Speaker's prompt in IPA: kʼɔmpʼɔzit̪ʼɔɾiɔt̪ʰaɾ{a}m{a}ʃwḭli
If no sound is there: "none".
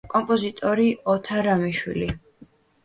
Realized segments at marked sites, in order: a, i

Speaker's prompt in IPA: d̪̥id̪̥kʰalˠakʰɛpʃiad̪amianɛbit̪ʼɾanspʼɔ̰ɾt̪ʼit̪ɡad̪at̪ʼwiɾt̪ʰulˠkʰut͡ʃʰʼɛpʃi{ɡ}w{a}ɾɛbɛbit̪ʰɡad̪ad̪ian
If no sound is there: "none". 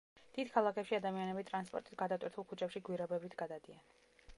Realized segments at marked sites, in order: ɡ, i

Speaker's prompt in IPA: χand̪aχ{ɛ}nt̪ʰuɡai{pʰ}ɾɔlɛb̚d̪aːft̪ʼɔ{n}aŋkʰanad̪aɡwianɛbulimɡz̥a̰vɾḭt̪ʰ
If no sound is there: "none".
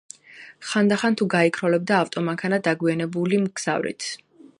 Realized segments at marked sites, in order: a, kʰ, m

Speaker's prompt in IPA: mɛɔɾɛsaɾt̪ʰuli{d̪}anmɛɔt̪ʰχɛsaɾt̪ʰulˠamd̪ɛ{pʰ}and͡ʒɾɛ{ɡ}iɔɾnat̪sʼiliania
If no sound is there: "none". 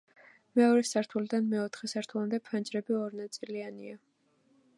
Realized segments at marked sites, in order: d̪, pʰ, b

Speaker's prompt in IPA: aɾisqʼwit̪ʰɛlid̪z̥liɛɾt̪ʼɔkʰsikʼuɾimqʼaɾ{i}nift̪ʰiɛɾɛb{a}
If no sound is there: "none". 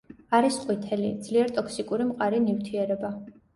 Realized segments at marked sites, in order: i, a

